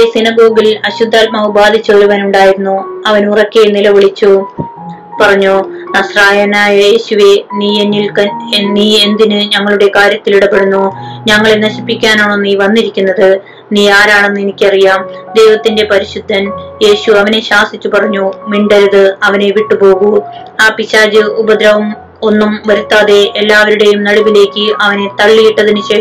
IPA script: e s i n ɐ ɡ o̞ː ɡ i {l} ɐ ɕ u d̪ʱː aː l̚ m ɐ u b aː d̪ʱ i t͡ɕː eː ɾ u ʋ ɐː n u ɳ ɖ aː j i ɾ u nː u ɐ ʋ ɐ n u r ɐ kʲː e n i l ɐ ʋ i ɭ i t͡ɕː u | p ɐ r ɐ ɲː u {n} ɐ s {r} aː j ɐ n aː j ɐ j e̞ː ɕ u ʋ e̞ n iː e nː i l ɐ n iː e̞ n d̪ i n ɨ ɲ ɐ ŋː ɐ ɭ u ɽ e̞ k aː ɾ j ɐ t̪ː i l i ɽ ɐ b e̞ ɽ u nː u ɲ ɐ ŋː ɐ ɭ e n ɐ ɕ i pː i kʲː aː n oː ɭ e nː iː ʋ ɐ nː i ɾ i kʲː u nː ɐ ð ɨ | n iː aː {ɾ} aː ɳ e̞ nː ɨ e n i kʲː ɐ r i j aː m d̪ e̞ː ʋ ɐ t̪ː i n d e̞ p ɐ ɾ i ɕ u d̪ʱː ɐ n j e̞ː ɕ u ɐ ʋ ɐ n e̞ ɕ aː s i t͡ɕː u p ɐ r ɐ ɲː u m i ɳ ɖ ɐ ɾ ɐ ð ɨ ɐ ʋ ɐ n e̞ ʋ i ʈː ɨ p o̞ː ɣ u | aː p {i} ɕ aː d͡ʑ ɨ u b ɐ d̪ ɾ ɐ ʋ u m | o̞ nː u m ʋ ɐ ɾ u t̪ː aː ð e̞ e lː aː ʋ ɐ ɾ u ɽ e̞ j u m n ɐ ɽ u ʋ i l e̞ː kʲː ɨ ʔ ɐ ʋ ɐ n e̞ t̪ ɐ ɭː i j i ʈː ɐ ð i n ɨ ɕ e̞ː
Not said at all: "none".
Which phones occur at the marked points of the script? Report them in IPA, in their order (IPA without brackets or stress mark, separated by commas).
l, n, r, ɾ, i